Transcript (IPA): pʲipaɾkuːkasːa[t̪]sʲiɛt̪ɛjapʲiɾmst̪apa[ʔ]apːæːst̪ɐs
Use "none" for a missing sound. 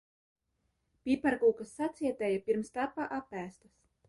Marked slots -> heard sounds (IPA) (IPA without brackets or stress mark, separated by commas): t̪, ʔ